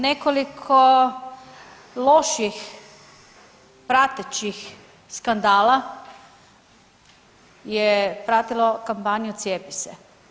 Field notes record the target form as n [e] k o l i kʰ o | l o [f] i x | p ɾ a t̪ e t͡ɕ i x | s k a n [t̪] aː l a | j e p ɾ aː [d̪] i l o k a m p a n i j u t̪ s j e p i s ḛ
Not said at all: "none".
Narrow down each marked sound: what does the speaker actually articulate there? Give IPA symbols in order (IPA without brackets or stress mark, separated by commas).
e, ʃ, d̪, t̪